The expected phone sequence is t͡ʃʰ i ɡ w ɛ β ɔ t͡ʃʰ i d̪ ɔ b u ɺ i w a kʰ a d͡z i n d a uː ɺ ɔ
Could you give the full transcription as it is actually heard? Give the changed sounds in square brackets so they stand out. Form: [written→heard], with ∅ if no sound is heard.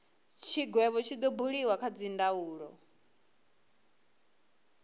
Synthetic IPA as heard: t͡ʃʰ i ɡ w ɛ β ɔ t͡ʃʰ i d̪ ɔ b u ɺ i w a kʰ a d͡z i n d a uː ɺ ɔ